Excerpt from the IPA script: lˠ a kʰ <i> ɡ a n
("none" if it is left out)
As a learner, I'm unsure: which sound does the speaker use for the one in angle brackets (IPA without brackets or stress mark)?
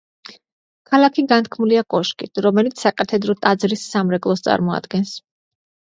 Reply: i